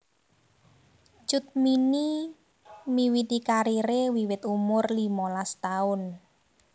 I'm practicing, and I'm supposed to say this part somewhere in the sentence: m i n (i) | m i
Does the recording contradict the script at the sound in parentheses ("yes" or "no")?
no